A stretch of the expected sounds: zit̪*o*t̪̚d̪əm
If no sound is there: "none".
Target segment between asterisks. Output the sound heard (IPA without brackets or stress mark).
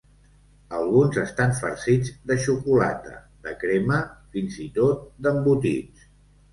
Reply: o